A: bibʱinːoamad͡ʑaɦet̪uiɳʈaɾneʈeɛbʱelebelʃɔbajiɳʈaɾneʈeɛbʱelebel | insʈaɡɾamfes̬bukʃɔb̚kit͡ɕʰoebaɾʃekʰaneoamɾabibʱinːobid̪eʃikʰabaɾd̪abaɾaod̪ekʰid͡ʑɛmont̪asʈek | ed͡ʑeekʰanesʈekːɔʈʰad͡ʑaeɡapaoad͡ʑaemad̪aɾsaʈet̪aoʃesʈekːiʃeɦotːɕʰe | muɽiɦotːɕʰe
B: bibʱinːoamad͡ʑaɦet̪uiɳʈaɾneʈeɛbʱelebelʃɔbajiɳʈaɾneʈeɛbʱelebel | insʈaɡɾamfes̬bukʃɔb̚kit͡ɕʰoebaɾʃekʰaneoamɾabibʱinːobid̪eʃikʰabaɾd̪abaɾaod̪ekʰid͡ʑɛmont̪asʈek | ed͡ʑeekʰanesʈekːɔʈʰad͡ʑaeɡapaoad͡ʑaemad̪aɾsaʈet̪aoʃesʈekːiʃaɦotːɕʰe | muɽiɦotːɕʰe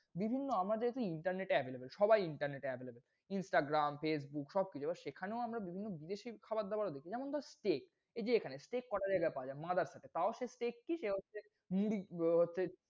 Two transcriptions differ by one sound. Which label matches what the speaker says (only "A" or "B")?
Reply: A